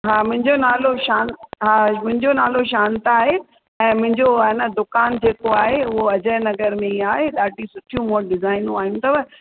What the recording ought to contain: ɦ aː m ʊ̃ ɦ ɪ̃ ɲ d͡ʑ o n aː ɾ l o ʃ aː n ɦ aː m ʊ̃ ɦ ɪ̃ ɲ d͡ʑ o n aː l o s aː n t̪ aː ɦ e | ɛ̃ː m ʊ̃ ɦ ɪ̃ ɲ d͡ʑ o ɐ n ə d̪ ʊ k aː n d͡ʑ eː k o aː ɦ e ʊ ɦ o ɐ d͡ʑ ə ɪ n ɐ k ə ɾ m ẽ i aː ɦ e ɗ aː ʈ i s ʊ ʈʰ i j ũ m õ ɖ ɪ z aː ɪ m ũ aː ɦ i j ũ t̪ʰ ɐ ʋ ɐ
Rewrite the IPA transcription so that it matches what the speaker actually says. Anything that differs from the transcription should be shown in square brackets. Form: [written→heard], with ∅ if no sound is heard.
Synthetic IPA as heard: ɦ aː m ʊ̃ ɦ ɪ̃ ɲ d͡ʑ o n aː [ɾ→∅] l o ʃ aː n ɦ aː m ʊ̃ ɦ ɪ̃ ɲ d͡ʑ o n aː l o [s→ʃ] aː n t̪ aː ɦ e | ɛ̃ː m ʊ̃ ɦ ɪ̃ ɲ d͡ʑ o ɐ n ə d̪ ʊ k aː n d͡ʑ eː k o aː ɦ e ʊ ɦ o ɐ d͡ʑ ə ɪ n ɐ [k→ɡ] ə ɾ m ẽ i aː ɦ e ɗ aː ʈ i s ʊ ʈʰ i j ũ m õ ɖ ɪ z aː ɪ [m→n] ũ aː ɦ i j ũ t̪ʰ ɐ ʋ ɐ

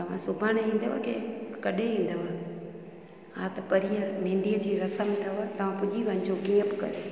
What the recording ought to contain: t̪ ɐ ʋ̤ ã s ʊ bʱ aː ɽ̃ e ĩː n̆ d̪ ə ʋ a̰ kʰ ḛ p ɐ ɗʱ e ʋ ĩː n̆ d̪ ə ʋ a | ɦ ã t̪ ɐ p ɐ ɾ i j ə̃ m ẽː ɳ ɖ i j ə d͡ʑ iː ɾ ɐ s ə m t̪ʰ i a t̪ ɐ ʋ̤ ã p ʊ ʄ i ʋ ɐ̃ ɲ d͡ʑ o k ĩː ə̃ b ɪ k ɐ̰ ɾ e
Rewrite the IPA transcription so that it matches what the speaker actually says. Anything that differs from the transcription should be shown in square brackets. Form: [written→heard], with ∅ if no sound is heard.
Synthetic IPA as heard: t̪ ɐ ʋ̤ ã s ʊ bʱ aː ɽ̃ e ĩː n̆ d̪ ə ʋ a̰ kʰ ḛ [p→k] ɐ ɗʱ e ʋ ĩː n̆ d̪ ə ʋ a | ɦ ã t̪ ɐ p ɐ ɾ i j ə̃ m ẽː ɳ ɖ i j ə d͡ʑ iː ɾ ɐ s ə m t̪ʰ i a t̪ ɐ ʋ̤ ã p ʊ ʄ i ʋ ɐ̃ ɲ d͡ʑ o k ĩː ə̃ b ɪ k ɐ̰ ɾ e

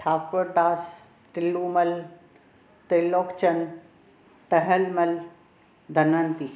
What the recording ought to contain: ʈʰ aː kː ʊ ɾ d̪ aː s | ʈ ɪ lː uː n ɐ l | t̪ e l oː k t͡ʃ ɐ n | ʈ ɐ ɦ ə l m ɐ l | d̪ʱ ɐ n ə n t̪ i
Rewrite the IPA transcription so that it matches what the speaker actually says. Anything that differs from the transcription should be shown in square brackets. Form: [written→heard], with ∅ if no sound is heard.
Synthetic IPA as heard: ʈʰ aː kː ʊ ɾ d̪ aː s | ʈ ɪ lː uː [n→m] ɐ l | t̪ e l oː k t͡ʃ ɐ n | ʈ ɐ ɦ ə l m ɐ l | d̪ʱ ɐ n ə n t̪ i

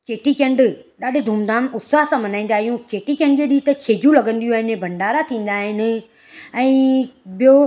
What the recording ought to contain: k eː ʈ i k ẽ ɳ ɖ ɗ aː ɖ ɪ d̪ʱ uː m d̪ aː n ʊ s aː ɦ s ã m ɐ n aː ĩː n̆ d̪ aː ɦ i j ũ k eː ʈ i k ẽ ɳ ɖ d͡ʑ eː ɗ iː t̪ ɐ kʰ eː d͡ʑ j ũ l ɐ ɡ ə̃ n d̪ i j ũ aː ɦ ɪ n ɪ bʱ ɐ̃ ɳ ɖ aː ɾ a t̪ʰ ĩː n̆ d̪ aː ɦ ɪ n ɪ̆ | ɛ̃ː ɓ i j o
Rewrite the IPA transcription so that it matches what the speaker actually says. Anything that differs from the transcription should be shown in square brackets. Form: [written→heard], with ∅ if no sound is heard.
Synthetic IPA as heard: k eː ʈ i k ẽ ɳ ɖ ɗ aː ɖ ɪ d̪ʱ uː m d̪ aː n ʊ s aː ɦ s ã m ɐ n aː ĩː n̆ d̪ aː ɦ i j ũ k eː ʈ i k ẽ ɳ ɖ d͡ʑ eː ɗ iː t̪ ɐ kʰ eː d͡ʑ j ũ l ɐ ɡ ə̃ n d̪ i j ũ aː ɦ ɪ n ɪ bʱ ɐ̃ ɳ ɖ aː ɾ a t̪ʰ ĩː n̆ d̪ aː ɦ ɪ n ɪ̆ | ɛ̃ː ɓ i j o

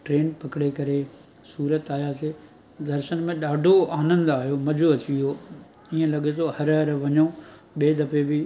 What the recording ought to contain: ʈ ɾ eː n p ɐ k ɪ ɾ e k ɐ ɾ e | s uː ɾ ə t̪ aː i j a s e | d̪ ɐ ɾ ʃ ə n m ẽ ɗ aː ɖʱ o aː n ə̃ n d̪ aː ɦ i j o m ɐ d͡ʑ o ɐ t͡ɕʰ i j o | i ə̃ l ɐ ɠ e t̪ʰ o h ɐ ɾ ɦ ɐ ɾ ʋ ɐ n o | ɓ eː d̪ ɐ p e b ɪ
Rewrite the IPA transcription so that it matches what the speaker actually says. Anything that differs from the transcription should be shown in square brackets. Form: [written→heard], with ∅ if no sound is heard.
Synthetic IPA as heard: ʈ ɾ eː n p ɐ k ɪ [ɾ→ɽ] e k ɐ ɾ e | s uː ɾ ə t̪ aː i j a s e | d̪ ɐ ɾ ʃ ə n m ẽ ɗ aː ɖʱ o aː n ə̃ n d̪ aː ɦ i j o m ɐ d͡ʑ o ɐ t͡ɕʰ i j o | i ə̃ l ɐ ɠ e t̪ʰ o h ɐ ɾ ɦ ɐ ɾ ʋ ɐ [n→ɲ] o | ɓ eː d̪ ɐ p e b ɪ

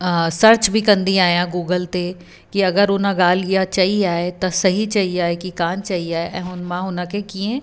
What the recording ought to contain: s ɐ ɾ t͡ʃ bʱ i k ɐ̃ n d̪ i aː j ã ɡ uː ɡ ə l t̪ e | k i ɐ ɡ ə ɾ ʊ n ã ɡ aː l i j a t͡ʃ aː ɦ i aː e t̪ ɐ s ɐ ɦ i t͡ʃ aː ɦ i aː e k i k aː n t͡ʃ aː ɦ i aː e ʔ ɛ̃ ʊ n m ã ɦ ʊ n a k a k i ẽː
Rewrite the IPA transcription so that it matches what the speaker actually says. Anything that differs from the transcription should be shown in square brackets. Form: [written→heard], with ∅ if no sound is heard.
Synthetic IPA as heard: s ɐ ɾ t͡ʃ bʱ i k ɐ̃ n d̪ i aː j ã ɡ uː ɡ ə l t̪ e | k i ɐ ɡ ə ɾ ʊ n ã ɡ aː l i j a t͡ʃ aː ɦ i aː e t̪ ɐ s ɐ ɦ i t͡ʃ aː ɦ i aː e k i k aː n t͡ʃ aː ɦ i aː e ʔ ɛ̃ ʊ n m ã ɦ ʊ n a k [a→e] k i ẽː

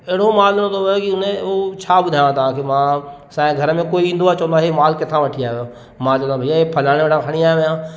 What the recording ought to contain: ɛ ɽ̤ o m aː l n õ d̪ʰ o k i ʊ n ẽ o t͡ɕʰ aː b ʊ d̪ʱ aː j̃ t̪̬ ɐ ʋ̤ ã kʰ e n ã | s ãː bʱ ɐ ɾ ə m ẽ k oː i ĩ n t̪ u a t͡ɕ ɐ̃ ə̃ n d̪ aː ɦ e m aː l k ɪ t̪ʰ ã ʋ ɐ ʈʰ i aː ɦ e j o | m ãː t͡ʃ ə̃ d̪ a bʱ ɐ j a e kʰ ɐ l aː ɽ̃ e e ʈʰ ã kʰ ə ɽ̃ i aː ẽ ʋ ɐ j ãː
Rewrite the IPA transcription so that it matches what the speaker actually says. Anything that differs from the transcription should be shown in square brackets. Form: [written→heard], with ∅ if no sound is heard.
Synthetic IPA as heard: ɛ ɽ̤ o m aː l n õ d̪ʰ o k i ʊ n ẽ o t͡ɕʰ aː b ʊ d̪ʱ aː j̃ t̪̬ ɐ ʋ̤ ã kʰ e [n→m] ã | s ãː [bʱ→ɡʱ] ɐ ɾ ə m ẽ k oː i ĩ n [t̪→d̪] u a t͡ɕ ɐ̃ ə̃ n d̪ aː ɦ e m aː l k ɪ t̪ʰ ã ʋ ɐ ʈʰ i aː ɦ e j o | m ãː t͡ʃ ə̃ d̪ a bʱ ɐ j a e [kʰ→pʰ] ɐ l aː ɽ̃ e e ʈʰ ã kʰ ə ɽ̃ i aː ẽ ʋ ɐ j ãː

